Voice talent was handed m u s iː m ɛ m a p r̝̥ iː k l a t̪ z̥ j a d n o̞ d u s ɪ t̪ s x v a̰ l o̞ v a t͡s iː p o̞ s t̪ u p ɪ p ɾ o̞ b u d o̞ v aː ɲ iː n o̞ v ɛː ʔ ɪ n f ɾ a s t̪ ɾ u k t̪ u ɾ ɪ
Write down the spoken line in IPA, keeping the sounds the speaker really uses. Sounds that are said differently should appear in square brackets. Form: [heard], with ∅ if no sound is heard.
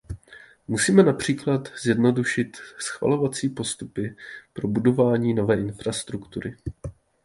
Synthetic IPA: m u s iː m ɛ [n] a p r̝̥ iː k l a t̪ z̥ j [ɛ] d n o̞ d u [ʃ] ɪ t̪ s x v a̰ l o̞ v a t͡s iː p o̞ s t̪ u p ɪ p ɾ o̞ b u d o̞ v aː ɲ iː n o̞ v ɛː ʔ ɪ n f ɾ a s t̪ ɾ u k t̪ u ɾ ɪ